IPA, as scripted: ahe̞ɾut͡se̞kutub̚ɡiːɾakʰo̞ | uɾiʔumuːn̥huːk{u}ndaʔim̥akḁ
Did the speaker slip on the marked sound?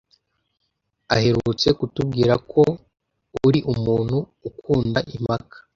yes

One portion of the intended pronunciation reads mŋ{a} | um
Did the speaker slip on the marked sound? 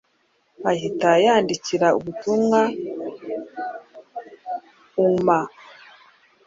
no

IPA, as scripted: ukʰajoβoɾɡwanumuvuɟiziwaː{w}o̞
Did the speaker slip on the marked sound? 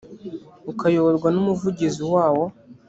no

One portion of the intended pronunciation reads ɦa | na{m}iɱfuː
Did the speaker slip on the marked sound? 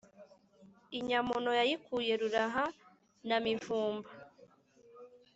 no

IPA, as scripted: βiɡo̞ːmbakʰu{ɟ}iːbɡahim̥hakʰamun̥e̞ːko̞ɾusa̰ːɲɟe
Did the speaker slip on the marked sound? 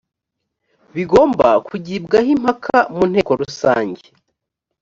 no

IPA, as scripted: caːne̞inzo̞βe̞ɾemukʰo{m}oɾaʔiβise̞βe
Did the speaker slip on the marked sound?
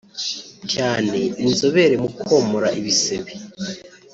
no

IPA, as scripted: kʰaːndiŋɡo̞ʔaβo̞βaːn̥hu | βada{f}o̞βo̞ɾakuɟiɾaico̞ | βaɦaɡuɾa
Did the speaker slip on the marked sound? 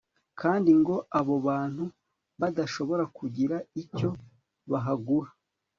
yes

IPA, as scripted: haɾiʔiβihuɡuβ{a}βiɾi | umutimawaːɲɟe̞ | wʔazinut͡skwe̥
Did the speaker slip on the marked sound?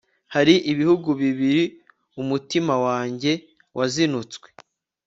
yes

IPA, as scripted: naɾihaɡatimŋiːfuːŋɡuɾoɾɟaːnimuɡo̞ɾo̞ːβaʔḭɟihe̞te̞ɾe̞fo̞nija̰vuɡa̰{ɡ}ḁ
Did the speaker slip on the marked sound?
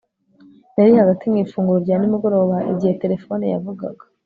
no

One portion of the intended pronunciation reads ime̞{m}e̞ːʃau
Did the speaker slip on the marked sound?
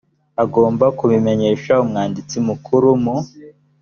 yes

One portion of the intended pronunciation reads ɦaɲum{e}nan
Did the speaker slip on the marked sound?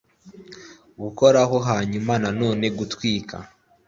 yes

